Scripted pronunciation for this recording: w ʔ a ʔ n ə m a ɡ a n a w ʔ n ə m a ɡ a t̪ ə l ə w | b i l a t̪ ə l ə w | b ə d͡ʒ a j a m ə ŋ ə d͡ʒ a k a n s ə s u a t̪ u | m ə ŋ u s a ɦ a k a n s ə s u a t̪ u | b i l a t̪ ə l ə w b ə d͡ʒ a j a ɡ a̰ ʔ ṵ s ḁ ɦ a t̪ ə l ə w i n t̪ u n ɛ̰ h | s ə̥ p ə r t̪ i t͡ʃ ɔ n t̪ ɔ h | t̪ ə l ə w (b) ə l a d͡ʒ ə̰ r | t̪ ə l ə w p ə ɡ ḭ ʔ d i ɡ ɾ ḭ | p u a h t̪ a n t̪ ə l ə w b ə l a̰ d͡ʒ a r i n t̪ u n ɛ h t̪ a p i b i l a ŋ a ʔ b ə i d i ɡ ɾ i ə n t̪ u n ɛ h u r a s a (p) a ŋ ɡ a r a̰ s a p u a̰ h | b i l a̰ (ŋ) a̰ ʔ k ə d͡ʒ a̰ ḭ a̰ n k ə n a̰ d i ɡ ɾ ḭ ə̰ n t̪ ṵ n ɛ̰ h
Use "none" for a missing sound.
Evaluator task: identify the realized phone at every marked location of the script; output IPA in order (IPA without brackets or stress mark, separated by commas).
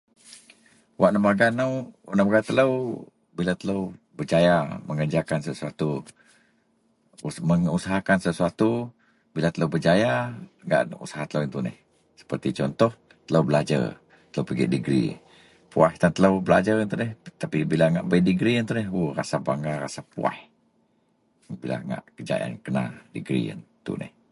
b, b, ŋ